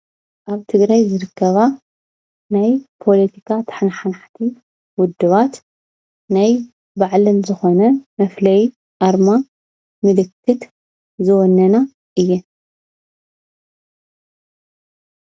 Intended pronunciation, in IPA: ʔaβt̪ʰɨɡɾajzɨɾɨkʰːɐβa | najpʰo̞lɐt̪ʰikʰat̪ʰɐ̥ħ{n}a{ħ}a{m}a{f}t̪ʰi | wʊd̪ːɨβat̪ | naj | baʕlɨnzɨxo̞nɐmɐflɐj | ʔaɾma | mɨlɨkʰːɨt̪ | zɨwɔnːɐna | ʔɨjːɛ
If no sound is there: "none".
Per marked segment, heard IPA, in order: n, ħ, n, ħ

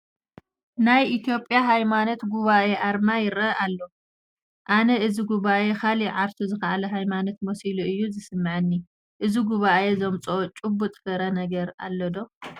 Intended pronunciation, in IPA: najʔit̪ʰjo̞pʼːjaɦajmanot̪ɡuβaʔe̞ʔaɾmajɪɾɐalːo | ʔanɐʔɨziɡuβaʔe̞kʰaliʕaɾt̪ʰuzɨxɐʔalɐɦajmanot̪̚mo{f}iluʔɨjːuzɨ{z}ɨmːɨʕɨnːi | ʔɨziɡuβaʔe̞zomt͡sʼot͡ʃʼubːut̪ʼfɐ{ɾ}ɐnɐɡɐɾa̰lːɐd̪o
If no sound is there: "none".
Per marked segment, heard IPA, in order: s, s, ɾ

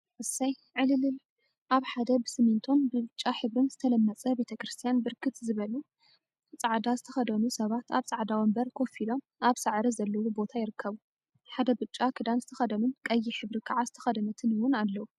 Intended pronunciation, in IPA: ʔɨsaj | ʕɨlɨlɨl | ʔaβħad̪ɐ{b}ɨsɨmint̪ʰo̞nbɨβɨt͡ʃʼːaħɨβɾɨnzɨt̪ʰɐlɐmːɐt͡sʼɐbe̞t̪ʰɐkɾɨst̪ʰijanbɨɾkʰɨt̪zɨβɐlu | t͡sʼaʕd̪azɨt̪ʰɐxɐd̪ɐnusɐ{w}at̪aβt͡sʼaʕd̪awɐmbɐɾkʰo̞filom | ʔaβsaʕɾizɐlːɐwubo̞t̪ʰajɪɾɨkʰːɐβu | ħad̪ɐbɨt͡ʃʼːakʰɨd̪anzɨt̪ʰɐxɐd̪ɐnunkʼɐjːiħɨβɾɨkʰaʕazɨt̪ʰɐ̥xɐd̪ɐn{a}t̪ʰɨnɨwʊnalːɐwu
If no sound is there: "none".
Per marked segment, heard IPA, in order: b, β, ɐ

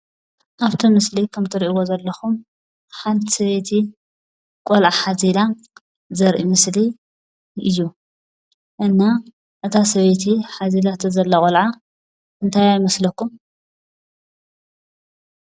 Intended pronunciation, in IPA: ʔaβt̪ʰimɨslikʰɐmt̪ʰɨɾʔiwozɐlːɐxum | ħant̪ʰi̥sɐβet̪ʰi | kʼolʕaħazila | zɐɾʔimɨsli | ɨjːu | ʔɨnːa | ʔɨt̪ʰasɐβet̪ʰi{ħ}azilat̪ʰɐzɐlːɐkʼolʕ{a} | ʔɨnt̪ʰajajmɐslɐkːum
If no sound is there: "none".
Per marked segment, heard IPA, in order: ħ, a

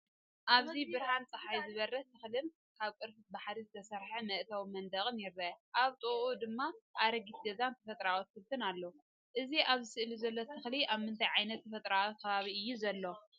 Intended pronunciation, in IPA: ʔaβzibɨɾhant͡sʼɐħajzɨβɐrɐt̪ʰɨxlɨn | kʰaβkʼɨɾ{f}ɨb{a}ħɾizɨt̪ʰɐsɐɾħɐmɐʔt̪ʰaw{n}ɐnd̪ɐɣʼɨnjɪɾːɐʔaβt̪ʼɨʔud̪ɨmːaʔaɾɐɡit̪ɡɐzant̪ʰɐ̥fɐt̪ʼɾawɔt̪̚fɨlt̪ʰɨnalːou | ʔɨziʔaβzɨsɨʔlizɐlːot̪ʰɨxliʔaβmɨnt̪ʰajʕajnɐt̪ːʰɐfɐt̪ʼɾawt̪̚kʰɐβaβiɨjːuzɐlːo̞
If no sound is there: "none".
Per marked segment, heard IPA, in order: f, a, m

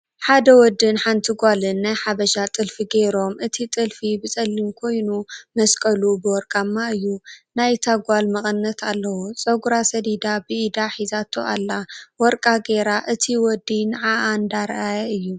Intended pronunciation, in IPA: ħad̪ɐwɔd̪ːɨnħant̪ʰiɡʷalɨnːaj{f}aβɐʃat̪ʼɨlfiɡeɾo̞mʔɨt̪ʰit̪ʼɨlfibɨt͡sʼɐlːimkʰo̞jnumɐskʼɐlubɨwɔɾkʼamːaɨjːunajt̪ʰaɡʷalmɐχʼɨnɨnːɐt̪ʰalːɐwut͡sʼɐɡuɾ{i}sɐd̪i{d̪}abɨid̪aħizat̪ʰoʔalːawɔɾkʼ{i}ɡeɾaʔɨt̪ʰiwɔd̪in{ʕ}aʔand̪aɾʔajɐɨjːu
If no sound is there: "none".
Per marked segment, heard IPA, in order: ħ, a, d̪, a, ʕ

